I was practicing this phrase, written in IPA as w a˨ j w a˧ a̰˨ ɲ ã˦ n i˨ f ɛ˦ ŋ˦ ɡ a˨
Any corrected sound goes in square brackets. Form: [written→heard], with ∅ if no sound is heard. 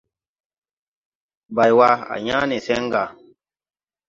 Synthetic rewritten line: [w→b] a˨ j w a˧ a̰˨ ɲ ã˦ n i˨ [f→s] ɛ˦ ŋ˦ ɡ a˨